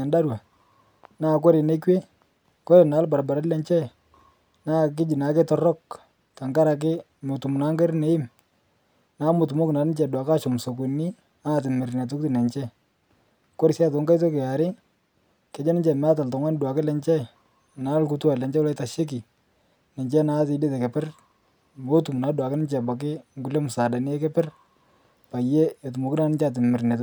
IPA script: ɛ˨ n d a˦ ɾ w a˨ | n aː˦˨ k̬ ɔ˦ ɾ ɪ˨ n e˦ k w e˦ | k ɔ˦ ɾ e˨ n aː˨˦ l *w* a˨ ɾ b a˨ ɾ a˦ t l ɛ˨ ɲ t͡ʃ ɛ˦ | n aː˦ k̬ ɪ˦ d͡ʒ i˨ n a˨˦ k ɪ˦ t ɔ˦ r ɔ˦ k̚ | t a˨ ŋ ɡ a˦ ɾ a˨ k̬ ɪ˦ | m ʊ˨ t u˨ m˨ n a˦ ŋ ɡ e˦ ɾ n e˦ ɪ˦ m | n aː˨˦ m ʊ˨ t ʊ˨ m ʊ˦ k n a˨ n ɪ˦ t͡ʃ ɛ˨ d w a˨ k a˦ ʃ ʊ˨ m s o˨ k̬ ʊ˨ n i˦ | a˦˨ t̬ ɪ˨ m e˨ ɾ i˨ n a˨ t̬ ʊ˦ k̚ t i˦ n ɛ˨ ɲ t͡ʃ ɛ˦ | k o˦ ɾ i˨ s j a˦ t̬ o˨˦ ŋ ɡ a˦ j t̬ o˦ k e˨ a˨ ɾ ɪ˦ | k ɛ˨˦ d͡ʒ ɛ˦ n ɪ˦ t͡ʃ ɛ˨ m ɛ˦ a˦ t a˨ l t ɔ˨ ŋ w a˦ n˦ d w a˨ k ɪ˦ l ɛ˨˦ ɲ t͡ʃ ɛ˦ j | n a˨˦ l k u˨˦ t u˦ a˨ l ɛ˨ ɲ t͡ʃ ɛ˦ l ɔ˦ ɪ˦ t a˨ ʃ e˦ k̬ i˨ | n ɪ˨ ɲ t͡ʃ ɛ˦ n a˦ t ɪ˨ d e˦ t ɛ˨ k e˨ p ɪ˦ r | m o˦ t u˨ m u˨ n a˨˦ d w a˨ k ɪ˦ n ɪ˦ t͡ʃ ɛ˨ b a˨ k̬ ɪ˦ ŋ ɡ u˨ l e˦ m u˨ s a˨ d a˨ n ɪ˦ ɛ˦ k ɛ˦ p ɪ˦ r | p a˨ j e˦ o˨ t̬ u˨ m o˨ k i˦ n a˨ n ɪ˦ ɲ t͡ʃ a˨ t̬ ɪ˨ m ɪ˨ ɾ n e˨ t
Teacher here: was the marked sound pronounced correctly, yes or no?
no